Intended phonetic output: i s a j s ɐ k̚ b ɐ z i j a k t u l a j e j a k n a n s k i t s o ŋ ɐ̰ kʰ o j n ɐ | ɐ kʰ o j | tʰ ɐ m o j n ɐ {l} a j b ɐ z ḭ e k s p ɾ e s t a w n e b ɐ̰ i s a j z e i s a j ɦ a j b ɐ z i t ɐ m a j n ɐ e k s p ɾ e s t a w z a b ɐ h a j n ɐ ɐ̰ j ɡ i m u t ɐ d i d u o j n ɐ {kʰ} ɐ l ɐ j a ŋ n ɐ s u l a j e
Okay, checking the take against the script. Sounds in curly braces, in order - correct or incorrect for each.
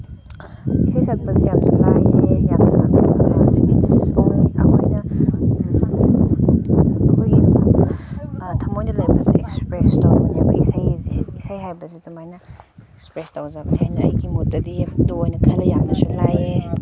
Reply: correct, correct

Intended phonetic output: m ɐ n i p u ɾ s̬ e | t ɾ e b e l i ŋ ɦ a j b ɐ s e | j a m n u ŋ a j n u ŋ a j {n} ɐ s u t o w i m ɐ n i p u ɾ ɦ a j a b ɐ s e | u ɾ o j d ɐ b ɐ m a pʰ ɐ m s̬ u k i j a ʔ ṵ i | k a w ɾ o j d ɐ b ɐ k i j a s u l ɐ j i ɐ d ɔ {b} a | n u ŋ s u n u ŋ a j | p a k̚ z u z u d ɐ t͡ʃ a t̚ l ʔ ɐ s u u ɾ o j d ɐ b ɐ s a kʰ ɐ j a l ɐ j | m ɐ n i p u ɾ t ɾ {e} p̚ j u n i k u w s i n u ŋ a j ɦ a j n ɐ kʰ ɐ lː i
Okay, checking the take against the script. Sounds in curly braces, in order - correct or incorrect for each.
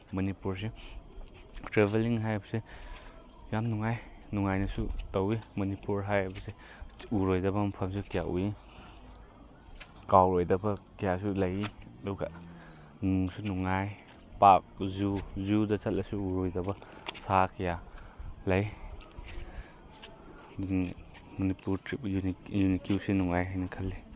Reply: correct, incorrect: ɡ, incorrect: i

